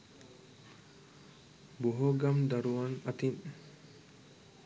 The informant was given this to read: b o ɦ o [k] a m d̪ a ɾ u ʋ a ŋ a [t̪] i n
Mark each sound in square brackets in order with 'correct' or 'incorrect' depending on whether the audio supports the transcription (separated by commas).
incorrect, correct